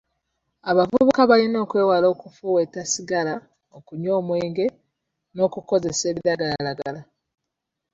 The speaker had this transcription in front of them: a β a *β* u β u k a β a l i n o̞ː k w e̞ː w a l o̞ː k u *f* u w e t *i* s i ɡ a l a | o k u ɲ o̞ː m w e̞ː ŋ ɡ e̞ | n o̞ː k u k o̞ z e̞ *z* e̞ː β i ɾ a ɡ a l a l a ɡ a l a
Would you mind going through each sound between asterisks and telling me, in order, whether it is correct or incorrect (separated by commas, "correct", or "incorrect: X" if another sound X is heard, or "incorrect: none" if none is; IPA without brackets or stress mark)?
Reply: incorrect: v, correct, incorrect: a, incorrect: s